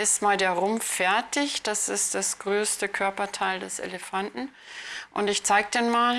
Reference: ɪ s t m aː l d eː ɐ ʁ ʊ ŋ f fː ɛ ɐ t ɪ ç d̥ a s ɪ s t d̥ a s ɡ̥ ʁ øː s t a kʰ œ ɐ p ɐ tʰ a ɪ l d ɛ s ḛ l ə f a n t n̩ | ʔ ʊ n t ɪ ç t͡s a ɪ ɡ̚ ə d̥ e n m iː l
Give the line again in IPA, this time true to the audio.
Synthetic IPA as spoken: ɪ s t m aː l d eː ɐ ʁ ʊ m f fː ɛ ɐ t ɪ ç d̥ a s ɪ s t d̥ a s ɡ̥ ʁ øː s t ə kʰ œ ɐ p ɐ tʰ a ɪ l d ɛ s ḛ l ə f a n t n̩ | ʔ ʊ n t ɪ ç t͡s a ɪ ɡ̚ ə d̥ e n m aː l